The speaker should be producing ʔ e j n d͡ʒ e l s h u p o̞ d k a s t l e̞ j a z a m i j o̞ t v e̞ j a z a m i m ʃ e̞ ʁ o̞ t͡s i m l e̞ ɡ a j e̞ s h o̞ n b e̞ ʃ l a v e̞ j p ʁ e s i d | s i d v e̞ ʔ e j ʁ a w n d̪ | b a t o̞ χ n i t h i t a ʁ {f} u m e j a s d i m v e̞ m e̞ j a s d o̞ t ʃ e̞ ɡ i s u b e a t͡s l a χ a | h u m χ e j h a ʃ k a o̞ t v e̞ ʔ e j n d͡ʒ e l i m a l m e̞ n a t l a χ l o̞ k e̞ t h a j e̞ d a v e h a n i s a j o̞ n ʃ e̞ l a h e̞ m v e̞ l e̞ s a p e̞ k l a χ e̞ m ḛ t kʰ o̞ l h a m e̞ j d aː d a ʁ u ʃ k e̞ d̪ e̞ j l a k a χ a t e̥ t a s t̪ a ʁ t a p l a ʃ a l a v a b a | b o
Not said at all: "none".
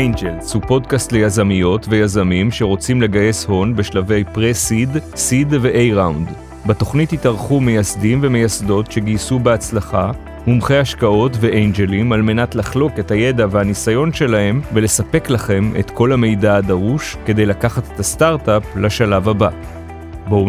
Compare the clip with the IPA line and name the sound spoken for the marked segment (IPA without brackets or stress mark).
χ